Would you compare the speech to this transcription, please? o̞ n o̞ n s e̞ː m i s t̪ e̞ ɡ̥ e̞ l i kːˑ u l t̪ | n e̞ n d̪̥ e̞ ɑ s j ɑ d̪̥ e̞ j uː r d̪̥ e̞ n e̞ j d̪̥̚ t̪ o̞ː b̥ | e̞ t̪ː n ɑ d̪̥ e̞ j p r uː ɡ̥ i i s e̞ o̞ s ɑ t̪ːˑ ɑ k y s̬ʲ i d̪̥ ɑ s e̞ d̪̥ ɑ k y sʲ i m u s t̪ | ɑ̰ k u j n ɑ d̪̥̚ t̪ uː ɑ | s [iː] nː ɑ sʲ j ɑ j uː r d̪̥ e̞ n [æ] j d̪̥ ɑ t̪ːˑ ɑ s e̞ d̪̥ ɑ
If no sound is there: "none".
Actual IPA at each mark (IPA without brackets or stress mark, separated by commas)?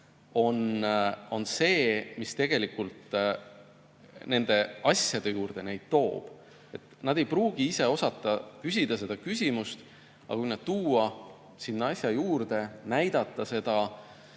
i, æ